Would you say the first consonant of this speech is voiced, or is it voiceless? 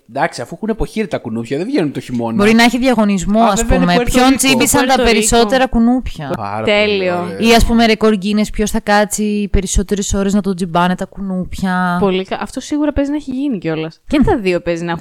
voiced